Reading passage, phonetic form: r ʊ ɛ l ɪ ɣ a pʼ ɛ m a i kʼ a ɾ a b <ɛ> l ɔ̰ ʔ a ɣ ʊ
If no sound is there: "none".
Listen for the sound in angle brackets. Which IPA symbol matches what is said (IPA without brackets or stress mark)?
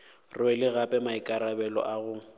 ɛ